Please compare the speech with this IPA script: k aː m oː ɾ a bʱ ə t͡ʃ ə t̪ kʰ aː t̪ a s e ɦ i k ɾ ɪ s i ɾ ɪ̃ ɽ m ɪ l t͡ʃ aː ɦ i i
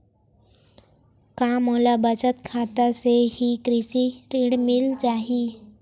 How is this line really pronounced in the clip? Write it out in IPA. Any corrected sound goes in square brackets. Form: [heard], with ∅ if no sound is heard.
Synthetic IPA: k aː m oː [l] a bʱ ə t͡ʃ ə t̪ kʰ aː t̪ a s e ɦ i k ɾ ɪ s i ɾ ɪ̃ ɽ m ɪ l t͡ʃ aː ɦ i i